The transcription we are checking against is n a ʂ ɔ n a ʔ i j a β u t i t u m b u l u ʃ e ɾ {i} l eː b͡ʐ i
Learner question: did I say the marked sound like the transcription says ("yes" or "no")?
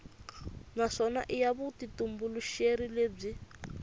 yes